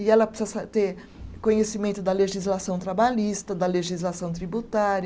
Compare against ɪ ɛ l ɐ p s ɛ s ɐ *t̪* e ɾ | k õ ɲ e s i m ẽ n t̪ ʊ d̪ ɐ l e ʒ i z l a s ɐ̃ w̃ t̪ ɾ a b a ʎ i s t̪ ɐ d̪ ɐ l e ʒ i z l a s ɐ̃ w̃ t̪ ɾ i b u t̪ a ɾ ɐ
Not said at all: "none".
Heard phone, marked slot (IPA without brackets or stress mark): t̪